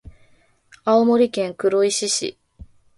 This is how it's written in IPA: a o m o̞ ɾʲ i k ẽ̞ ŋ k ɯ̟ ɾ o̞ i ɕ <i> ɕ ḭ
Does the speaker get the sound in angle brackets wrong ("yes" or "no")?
no